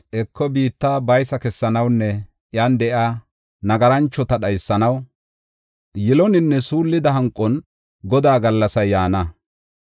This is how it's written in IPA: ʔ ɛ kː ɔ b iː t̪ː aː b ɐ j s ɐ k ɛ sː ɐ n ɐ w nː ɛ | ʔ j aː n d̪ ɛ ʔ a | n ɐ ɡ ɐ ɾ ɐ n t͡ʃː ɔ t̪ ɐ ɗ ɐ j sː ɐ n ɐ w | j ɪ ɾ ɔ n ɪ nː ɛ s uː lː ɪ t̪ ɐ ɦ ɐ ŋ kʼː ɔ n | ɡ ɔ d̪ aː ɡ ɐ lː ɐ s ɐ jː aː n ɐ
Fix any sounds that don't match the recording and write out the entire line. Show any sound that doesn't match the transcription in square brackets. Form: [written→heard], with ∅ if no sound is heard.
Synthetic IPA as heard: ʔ ɛ kː ɔ b iː t̪ː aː b ɐ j s ɐ k ɛ sː ɐ n ɐ w nː ɛ | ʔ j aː n d̪ ɛ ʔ a | n ɐ ɡ ɐ ɾ ɐ n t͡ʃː ɔ t̪ ɐ ɗ ɐ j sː ɐ n ɐ w | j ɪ [ɾ→l] ɔ n ɪ nː ɛ s uː lː ɪ [t̪→d̪] ɐ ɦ ɐ ŋ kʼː ɔ n | ɡ ɔ d̪ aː ɡ ɐ lː ɐ s ɐ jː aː n ɐ